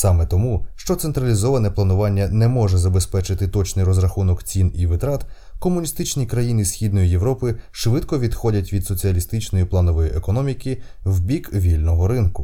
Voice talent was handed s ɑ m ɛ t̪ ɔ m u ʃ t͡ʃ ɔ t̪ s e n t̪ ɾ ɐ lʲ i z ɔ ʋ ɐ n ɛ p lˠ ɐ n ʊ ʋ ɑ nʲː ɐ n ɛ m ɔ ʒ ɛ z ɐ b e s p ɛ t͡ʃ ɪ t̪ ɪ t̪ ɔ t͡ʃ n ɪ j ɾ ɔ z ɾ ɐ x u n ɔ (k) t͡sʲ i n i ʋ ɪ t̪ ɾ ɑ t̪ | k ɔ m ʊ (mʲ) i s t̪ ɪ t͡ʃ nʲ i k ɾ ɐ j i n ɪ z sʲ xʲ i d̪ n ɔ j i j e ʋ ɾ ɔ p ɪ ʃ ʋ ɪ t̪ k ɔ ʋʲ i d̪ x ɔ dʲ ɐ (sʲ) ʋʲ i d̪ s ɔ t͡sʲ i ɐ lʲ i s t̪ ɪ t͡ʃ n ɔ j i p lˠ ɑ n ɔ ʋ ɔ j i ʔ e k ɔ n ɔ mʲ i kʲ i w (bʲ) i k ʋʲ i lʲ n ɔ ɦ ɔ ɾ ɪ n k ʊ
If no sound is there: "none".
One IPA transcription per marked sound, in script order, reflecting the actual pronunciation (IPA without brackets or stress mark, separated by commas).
k, nʲ, tʲ, bʲ